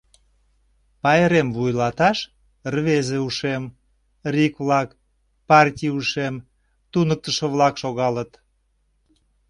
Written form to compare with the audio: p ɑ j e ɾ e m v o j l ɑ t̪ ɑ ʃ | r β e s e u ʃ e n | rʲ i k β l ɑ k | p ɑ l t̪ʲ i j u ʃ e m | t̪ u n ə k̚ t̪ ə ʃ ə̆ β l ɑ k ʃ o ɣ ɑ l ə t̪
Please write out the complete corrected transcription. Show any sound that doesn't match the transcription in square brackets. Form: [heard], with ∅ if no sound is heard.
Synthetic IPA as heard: p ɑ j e ɾ e m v [u] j l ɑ t̪ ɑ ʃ | r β e [z] e u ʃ e [m] | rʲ i k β l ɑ k | p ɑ [r] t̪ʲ i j u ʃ e m | t̪ u n ə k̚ t̪ ə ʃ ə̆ β l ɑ k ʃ o ɣ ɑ l ə t̪